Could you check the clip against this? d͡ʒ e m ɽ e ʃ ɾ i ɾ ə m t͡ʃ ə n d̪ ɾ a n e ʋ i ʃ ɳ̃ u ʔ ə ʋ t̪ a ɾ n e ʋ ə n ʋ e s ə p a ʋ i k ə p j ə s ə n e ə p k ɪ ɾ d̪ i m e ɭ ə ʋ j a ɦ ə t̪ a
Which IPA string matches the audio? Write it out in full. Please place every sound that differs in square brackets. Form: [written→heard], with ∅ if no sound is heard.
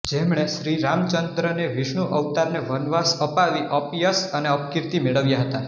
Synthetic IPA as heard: d͡ʒ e m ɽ e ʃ ɾ i ɾ [ə→a] m t͡ʃ ə n d̪ ɾ [a→ə] n e ʋ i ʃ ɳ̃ u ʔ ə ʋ t̪ a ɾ n e ʋ ə n ʋ [e→a] s ə p a ʋ i [k→ʔ] ə p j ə s ə n e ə p k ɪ ɾ [d̪→t̪] i m e ɭ ə ʋ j a ɦ ə t̪ a